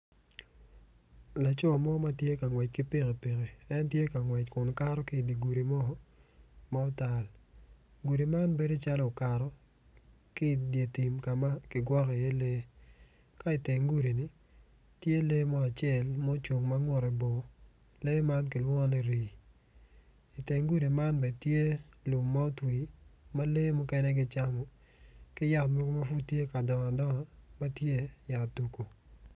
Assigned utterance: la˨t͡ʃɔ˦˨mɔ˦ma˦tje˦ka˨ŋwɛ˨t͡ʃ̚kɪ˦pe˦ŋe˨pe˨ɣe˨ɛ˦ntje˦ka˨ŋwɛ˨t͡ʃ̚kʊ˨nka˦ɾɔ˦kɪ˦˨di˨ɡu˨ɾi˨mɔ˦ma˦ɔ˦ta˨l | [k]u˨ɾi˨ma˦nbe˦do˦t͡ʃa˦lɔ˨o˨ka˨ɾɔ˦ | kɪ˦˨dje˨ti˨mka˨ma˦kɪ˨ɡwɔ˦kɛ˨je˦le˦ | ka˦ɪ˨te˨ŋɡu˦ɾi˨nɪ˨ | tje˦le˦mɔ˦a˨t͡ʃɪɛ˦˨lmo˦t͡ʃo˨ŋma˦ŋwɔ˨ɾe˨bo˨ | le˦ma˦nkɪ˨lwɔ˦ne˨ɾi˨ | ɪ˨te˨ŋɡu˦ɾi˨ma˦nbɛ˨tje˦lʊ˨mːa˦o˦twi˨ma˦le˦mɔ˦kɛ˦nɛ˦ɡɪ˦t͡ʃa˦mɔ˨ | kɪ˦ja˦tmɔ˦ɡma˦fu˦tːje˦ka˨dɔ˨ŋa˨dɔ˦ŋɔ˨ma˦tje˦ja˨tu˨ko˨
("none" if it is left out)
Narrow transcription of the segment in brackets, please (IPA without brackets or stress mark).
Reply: ɡ